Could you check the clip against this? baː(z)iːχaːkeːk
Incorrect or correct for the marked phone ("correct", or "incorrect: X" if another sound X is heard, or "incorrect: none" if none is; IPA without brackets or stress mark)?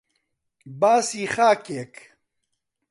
incorrect: s